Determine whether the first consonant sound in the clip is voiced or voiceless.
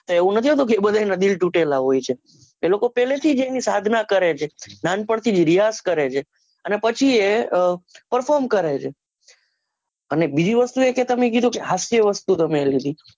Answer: voiceless